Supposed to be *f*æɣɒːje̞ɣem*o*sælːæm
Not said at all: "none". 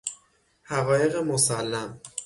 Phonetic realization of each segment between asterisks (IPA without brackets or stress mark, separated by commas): h, o